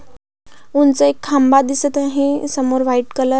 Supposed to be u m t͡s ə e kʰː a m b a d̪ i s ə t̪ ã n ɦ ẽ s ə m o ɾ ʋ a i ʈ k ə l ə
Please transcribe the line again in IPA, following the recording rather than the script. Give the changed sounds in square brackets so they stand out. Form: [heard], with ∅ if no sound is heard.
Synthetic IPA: u [n] t͡s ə e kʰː a m b a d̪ i s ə t̪ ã [∅] ɦ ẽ s ə m o ɾ ʋ a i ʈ k ə l ə